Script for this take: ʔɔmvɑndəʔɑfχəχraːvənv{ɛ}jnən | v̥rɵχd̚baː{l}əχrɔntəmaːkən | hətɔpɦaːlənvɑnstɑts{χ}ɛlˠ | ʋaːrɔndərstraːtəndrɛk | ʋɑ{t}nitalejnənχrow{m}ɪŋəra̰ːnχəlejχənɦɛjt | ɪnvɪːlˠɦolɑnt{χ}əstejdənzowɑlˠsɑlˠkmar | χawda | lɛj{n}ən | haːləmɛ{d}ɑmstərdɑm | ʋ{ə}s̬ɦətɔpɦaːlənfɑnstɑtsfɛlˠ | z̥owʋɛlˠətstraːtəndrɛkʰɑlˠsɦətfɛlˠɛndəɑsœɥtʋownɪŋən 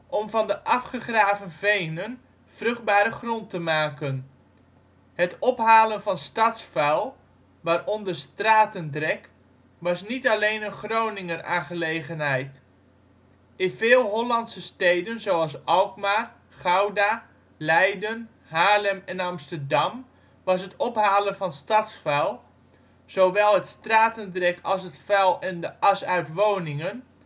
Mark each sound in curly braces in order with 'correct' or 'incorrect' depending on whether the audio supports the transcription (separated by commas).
incorrect, incorrect, incorrect, incorrect, incorrect, incorrect, incorrect, incorrect, incorrect